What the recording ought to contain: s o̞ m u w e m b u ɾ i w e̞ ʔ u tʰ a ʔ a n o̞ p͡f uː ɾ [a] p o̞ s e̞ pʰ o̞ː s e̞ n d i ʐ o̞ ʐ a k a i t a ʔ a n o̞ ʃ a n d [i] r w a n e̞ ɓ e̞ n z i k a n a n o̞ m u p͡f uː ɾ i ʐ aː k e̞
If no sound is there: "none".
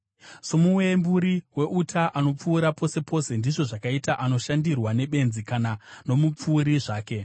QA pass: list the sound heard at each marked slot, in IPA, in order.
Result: a, i

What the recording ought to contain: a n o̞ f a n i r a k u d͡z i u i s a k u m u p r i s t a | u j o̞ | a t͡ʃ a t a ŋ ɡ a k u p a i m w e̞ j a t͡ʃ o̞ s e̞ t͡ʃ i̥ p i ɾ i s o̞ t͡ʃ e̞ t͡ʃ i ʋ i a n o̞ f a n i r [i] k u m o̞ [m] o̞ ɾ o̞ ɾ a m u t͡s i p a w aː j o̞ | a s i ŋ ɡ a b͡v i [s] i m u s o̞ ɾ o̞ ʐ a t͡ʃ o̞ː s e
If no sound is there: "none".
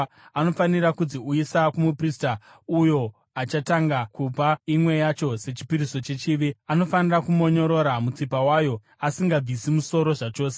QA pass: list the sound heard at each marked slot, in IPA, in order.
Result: a, ɲ, s

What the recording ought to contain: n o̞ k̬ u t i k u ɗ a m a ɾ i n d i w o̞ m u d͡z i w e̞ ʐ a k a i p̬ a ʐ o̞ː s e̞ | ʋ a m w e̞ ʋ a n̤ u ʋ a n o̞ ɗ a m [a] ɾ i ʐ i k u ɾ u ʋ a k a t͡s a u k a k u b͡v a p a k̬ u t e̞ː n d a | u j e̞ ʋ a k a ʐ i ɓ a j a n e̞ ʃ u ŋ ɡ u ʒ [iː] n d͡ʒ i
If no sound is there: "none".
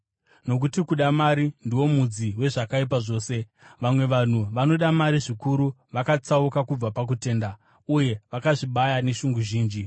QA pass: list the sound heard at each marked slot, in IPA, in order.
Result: a, iː

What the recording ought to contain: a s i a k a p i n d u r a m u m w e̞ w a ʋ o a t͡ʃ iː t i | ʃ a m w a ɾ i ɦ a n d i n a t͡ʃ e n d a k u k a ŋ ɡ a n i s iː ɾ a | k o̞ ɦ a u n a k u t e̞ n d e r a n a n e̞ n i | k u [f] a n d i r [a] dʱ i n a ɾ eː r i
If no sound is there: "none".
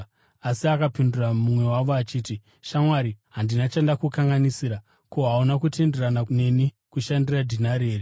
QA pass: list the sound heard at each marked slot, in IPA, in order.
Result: ʃ, a

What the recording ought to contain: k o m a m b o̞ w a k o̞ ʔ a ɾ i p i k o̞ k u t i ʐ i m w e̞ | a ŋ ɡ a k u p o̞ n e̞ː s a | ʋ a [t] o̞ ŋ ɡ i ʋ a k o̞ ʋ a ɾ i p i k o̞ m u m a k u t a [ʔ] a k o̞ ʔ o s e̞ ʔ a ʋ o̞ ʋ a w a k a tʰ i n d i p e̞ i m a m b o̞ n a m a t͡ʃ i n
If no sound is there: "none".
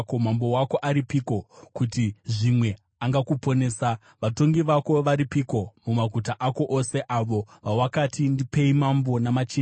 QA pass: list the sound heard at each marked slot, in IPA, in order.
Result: t, ʔ

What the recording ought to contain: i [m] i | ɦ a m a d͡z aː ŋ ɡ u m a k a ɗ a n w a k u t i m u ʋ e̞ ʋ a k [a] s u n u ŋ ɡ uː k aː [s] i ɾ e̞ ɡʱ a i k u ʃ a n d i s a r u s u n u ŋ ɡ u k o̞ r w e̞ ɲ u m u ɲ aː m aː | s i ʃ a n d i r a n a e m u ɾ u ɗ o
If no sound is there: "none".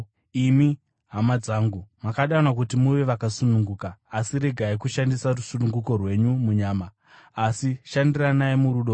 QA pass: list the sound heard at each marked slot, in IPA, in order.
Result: m, a, s

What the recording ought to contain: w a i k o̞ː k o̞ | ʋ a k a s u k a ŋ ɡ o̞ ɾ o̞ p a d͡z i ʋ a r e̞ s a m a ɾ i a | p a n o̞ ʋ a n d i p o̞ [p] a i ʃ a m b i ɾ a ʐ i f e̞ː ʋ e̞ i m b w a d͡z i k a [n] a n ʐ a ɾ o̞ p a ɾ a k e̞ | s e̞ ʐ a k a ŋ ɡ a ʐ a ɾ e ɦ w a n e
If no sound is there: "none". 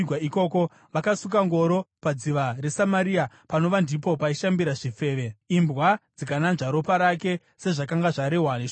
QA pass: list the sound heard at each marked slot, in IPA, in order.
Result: p, n

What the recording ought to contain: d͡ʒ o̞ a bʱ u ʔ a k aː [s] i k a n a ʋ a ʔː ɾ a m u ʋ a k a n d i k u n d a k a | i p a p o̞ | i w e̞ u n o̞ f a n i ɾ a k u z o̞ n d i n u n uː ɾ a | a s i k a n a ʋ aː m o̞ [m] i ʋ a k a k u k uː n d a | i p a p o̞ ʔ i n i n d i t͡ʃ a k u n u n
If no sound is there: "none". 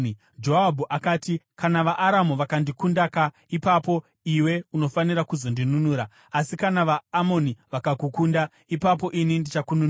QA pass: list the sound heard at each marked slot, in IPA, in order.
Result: t, n

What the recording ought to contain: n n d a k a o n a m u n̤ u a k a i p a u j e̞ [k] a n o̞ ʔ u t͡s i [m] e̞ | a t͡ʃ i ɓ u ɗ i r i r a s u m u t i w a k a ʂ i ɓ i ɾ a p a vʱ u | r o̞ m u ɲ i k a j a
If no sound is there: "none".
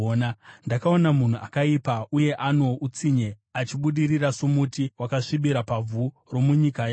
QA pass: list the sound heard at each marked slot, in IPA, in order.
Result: ʔ, ɲ

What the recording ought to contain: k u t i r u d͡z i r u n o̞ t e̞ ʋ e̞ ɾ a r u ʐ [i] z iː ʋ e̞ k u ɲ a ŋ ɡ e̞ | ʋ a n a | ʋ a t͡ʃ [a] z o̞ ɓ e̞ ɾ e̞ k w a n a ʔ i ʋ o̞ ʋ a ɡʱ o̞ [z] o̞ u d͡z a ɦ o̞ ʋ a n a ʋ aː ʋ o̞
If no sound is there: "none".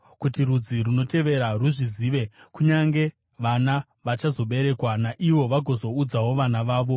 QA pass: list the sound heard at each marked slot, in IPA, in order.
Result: i, a, z

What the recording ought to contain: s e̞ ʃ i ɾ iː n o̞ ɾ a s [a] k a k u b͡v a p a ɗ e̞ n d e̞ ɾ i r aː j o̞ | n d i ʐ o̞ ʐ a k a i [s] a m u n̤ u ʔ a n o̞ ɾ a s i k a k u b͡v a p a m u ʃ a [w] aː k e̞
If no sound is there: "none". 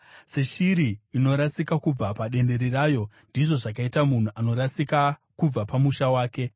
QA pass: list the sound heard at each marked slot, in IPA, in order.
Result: i, t, w

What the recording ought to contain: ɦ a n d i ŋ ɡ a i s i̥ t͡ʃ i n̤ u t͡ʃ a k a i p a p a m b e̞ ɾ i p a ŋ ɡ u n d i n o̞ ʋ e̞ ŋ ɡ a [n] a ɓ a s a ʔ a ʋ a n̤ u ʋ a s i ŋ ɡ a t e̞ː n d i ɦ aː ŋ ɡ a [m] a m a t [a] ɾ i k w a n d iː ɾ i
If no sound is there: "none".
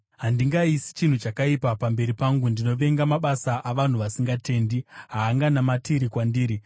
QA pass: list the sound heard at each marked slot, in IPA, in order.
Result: m, n, i

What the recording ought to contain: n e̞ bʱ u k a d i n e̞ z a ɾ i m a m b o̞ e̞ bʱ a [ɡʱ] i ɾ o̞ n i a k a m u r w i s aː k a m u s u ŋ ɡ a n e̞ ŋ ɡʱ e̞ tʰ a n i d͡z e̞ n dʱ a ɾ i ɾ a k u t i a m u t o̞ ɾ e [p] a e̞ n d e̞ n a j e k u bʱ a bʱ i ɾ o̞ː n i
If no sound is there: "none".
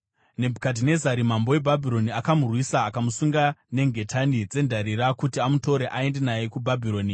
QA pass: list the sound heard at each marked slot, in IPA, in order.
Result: bʱ, ʔ

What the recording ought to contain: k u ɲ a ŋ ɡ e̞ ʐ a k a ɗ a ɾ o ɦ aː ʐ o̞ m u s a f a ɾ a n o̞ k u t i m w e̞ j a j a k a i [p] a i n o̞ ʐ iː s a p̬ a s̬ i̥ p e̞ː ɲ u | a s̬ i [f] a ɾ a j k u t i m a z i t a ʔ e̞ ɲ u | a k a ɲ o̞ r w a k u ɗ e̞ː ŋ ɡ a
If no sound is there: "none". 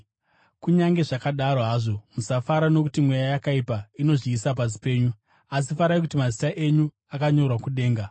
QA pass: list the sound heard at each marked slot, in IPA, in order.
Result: p, f

